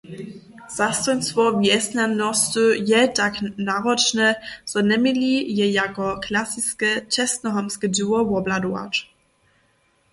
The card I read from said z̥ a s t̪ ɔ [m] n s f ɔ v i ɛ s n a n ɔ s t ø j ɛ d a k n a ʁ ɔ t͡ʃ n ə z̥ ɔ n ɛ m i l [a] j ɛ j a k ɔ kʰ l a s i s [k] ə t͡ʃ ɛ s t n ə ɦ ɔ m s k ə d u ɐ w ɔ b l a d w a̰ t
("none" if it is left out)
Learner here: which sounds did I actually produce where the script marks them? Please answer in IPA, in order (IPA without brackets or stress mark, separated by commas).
none, i, k